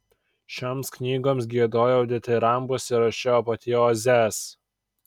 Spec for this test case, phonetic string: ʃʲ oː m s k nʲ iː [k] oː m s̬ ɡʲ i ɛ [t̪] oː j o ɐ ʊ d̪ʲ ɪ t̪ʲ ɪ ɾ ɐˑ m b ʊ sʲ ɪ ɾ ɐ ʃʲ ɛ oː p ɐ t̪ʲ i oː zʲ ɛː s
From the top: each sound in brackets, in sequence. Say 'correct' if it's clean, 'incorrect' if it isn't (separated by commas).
incorrect, incorrect